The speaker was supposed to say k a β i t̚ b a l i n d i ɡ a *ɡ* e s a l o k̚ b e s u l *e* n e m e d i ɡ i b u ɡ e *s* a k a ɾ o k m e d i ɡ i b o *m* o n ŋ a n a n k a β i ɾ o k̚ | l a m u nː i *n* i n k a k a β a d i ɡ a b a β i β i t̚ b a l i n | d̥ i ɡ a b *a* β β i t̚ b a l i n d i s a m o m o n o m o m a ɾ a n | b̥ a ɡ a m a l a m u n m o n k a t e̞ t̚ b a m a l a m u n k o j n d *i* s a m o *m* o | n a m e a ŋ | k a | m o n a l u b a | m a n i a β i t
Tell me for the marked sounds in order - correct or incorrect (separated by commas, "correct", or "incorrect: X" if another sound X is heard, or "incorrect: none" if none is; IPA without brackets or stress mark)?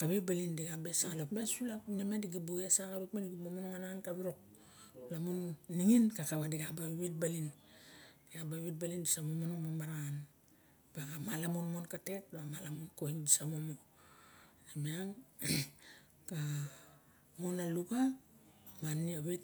incorrect: b, incorrect: a, correct, correct, incorrect: ŋ, correct, correct, correct